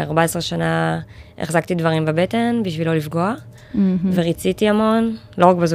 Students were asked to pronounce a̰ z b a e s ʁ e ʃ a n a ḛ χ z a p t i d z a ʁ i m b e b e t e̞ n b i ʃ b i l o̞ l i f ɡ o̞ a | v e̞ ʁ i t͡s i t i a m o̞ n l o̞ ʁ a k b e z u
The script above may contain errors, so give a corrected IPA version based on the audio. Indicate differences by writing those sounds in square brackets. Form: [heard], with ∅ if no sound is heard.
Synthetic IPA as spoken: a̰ [ʁ] b a e s ʁ e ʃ a n a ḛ χ z a [k] t i d [v] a ʁ i m b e b e t e̞ n b i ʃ [v] i l o̞ l i f ɡ o̞ a | v e̞ ʁ i t͡s i t i a m o̞ n l o̞ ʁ a k b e z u